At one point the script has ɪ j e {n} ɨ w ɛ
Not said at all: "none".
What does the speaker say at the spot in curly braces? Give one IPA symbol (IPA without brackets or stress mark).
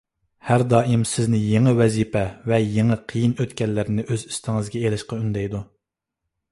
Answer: ŋ